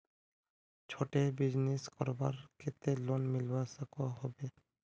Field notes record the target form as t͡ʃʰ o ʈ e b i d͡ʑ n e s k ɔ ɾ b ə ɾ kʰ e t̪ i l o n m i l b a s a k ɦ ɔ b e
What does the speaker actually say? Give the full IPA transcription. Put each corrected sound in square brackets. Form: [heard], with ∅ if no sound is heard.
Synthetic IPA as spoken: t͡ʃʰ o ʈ e b i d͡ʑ n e s k ɔ ɾ b [a] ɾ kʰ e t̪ [e] l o n m i l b a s a k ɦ ɔ b e

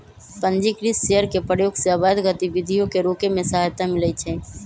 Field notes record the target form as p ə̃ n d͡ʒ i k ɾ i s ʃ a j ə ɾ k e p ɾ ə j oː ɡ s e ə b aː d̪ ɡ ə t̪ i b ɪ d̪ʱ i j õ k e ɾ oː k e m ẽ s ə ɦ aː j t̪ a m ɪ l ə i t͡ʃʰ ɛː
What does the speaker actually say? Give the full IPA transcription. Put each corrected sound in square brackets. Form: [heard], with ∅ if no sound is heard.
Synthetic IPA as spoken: p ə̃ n d͡ʒ i k ɾ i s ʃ [e] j ə ɾ k e p ɾ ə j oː ɡ s e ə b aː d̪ ɡ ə t̪ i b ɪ d̪ʱ i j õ k e ɾ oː k e m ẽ s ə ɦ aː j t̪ a m ɪ l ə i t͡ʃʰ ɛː

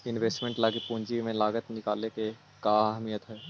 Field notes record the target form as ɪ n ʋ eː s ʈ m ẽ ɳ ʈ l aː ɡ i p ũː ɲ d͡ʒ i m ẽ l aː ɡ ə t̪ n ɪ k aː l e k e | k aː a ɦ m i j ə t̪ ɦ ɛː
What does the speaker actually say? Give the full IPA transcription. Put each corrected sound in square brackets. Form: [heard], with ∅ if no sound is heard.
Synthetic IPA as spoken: ɪ n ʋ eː s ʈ m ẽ ɳ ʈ l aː ɡ i p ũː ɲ d͡ʒ i m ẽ l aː ɡ ə t̪ n ɪ k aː l e k e | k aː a ɦ m i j ə t̪ ɦ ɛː

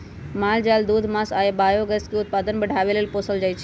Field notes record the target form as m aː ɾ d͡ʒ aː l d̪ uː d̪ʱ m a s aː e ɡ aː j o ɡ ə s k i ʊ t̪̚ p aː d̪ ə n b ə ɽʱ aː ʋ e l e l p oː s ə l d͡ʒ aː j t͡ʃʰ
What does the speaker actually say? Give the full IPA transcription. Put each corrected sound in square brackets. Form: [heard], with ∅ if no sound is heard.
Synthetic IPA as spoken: m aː [l] d͡ʒ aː l d̪ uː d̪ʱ m a s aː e [b] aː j o ɡ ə s k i ʊ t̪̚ p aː d̪ ə n b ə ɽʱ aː ʋ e l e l p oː s ə l d͡ʒ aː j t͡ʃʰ

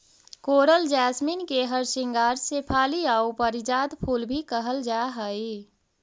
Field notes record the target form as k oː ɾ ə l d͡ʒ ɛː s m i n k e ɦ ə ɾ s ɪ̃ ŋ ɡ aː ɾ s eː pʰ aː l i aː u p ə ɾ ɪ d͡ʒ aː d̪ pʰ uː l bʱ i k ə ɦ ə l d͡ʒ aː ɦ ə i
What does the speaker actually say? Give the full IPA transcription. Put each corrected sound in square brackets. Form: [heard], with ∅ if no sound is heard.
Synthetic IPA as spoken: k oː ɾ ə l d͡ʒ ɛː s m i n k e ɦ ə ɾ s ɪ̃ ŋ ɡ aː ɾ s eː pʰ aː l i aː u p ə ɾ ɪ d͡ʒ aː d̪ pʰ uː l bʱ i k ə ɦ ə l d͡ʒ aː ɦ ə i

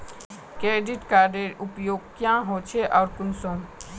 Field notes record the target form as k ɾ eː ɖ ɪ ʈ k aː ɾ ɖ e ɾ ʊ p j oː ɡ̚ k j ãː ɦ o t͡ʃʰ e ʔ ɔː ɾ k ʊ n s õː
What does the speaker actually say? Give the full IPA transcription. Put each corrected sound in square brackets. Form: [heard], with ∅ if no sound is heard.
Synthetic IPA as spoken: k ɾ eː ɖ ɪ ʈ k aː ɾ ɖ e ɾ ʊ p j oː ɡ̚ k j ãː ɦ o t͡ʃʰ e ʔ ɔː ɾ k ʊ n s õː

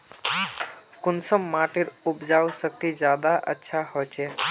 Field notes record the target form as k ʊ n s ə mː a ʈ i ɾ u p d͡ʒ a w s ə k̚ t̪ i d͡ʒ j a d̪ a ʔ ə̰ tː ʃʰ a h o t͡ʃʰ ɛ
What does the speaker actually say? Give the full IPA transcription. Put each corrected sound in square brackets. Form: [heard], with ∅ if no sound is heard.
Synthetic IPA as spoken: k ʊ n s ə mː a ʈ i ɾ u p d͡ʒ a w s ə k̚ t̪ i d͡ʒ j a d̪ a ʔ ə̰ tː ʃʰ a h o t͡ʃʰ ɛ

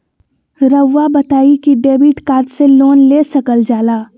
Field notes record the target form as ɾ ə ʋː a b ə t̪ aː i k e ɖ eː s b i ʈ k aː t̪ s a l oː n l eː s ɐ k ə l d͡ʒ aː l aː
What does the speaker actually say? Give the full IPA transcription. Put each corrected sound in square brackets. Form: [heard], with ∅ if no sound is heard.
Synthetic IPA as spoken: ɾ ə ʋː a b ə t̪ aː i k [i] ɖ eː [∅] b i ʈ k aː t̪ s [e] l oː n l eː s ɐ k ə l d͡ʒ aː l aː

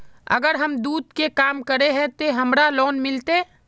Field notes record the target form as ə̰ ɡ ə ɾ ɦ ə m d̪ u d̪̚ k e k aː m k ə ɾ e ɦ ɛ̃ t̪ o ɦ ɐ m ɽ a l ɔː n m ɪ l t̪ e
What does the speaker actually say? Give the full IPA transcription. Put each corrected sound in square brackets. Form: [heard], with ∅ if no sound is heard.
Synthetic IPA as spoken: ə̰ ɡ ə ɾ ɦ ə m d̪ [uː] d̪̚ k e k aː m k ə ɾ e ɦ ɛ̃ t̪ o ɦ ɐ m [ɾ] a l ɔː n m ɪ l t̪ e

